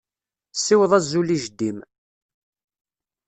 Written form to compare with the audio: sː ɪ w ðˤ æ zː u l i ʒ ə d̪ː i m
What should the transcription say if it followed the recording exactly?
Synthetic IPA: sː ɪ w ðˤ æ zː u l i ʒ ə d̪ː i m

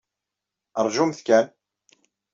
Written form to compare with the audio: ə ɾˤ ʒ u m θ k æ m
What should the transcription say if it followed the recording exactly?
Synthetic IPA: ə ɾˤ ʒ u m θ k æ n

